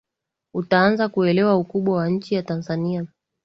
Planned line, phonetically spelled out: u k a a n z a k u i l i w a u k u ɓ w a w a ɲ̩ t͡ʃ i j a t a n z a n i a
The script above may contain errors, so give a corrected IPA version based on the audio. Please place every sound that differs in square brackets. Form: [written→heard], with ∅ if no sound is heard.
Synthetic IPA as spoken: u [k→t] a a n z a k u [i→ɛ] l [i→ɛ] w a u k u ɓ w a w a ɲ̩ t͡ʃ i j a t a n z a n i a